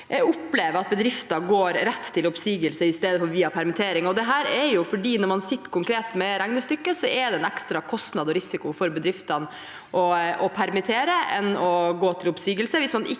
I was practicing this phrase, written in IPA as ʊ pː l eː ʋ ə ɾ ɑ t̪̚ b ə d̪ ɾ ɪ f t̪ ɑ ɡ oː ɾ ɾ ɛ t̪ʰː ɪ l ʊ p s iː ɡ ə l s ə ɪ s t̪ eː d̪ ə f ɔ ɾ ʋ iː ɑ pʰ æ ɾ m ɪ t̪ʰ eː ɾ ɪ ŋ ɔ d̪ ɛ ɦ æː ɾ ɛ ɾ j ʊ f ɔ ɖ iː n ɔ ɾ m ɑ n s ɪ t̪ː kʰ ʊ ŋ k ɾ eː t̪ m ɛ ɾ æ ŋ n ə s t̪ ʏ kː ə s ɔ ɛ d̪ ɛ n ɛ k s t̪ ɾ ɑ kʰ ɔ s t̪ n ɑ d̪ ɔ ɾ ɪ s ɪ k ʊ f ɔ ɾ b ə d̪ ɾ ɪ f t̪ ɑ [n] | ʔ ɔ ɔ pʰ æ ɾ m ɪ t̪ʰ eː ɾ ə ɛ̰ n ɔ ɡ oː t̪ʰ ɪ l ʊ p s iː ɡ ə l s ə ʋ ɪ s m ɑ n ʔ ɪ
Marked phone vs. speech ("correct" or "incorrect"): correct